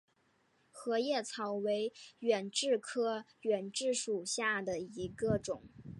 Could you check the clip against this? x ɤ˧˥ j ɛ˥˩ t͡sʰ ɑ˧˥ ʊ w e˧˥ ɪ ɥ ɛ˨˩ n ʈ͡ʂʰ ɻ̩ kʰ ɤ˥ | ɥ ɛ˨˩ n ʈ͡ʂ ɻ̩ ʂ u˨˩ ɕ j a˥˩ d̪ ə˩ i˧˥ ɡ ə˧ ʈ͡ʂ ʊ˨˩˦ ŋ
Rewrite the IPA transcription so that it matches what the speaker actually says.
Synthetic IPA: x ɤ˧˥ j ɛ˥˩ t͡sʰ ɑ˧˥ ʊ w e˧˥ ɪ ɥ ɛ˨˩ n ʈ͡ʂ ɻ̩ kʰ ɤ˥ | ɥ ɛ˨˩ n ʈ͡ʂ ɻ̩ ʂ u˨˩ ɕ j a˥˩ d̪ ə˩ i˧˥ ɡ ə˧ ʈ͡ʂ ʊ˨˩˦ ŋ